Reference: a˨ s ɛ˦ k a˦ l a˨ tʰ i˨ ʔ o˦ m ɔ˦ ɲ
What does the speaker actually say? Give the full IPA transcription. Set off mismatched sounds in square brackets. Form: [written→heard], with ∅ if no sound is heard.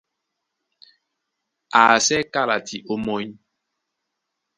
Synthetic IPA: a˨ s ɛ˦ k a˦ l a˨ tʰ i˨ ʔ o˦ m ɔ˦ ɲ